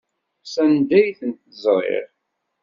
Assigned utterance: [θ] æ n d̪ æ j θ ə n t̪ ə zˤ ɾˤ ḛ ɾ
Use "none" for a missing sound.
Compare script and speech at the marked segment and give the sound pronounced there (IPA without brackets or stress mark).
s